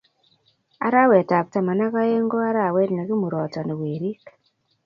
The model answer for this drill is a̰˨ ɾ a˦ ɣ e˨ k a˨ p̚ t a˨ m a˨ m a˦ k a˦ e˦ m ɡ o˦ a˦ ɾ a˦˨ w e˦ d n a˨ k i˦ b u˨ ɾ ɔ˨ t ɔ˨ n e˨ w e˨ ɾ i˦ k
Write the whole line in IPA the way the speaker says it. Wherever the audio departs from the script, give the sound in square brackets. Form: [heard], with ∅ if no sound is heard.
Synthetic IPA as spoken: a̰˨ ɾ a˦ [w] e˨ [t] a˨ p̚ t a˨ m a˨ [n] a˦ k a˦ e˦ [ŋ] ɡ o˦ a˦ ɾ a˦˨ w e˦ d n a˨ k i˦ [m] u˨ ɾ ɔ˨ t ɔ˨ n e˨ w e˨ ɾ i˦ k